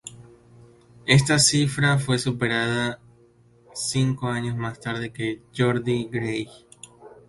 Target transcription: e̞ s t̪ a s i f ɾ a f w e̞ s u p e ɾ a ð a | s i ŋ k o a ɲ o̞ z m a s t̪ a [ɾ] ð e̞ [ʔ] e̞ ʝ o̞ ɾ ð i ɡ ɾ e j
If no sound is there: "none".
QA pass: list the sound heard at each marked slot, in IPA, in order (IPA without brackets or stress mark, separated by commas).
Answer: ɾ, k